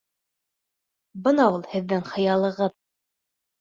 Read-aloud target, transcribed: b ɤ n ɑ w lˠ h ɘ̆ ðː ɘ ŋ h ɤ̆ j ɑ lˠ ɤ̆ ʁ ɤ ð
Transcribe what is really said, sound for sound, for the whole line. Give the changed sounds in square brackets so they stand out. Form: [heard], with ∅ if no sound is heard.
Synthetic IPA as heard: b ɤ n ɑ [u] lˠ h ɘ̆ ðː ɘ ŋ [χ] ɤ̆ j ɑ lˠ ɤ̆ ʁ ɤ ð

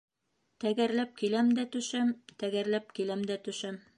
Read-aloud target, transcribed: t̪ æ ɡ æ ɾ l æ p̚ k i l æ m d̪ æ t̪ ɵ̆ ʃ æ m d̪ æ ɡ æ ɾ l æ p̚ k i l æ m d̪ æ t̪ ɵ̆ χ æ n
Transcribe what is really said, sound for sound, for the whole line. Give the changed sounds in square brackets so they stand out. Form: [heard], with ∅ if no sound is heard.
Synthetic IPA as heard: t̪ æ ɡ æ ɾ l æ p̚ k i l æ m d̪ æ t̪ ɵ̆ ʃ æ m [t̪] æ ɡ æ ɾ l æ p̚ k i l æ m d̪ æ t̪ ɵ̆ [ʃ] æ [m]

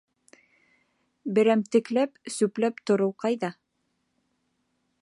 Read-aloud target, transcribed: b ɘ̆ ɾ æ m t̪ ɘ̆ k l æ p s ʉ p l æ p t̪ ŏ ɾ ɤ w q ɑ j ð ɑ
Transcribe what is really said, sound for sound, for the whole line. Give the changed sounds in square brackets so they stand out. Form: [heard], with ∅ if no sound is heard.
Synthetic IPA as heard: b ɘ̆ ɾ æ m t̪ ɘ̆ k l æ p s ʉ p l æ p t̪ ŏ ɾ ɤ w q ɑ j ð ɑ

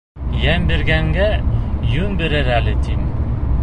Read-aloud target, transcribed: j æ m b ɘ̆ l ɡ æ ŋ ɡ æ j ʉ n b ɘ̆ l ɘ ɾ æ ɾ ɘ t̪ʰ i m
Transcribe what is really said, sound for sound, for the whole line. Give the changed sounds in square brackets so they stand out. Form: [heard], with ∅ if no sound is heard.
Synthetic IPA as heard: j æ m b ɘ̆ [ɾ] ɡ æ ŋ ɡ æ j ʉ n b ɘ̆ [ɾ] ɘ ɾ æ [l] ɘ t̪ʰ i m

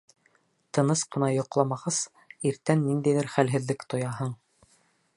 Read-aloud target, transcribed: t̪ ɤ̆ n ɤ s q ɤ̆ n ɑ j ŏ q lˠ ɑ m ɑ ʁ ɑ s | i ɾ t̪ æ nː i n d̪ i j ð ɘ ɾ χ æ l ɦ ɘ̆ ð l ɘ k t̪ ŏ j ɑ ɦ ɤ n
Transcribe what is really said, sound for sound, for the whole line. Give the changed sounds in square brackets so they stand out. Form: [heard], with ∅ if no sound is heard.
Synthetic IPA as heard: t̪ ɤ̆ n ɤ s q ɤ̆ n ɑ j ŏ q lˠ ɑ m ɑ ʁ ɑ s | i ɾ t̪ æ nː i n d̪ [æ] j ð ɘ ɾ χ æ l ɦ ɘ̆ ð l ɘ k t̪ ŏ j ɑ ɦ ɤ [ɴ]

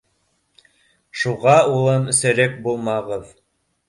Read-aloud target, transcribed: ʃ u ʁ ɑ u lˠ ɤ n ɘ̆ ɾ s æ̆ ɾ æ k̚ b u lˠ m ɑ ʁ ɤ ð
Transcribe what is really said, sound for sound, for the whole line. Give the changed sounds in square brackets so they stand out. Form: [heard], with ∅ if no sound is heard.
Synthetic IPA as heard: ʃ u ʁ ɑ u lˠ ɤ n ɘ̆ [∅] s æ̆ ɾ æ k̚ b u lˠ m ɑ ʁ ɤ ð

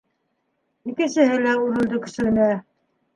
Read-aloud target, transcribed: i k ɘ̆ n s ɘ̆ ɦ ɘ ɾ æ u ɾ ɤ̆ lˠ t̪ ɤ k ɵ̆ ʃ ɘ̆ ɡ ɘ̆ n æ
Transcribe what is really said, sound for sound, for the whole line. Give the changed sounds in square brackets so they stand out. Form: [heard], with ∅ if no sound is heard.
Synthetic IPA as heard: i k ɘ̆ n s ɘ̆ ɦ ɘ [l] æ u ɾ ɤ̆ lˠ [d̪] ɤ k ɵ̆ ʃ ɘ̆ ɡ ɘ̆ n æ

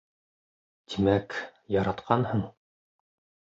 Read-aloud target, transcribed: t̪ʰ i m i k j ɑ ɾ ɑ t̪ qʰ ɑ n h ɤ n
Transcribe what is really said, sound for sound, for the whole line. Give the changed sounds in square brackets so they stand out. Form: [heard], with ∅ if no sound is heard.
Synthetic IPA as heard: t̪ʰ i m [æ] k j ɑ ɾ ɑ t̪ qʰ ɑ n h ɤ [ɴ]

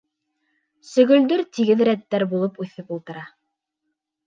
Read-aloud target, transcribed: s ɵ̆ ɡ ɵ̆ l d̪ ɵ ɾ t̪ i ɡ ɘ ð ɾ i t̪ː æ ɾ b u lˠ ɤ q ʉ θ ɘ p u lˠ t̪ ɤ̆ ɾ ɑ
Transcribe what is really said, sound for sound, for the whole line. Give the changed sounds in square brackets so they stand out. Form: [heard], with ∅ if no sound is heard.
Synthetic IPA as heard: s ɵ̆ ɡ ɵ̆ l d̪ ɵ ɾ t̪ i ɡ ɘ ð ɾ [æ] t̪ː æ ɾ b u lˠ ɤ [p] ʉ θ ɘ p u lˠ t̪ ɤ̆ ɾ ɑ

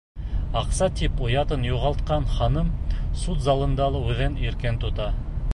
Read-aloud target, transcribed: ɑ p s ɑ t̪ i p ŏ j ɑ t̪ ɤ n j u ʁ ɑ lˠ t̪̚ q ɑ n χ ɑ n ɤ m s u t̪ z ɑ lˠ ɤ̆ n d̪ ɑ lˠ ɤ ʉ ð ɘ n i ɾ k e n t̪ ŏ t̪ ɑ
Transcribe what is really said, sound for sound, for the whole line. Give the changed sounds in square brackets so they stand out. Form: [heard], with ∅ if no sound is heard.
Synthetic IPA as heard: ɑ [q] s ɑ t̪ i p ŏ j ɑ t̪ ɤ n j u ʁ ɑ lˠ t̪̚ q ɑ n χ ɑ n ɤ m s u t̪ z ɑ lˠ ɤ̆ n d̪ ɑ lˠ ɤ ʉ ð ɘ n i ɾ k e n t̪ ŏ t̪ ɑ

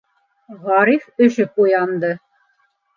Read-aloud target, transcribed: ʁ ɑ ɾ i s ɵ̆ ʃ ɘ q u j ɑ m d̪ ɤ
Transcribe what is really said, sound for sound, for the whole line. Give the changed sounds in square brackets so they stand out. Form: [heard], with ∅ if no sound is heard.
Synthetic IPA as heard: ʁ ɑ ɾ i [f] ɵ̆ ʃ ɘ [p] u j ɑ [n] d̪ ɤ

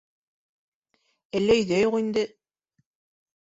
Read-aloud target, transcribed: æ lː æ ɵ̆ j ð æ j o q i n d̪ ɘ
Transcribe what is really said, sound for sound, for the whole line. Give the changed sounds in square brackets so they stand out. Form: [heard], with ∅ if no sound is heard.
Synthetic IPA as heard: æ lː æ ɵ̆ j ð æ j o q i n d̪ ɘ

